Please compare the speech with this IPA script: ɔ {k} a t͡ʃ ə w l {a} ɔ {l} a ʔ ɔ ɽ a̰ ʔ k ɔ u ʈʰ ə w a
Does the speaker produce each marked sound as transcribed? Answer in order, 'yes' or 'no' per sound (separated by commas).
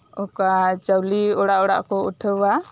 yes, no, no